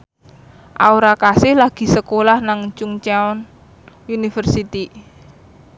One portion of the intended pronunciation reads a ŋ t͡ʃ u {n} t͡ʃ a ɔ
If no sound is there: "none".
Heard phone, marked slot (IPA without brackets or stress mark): ŋ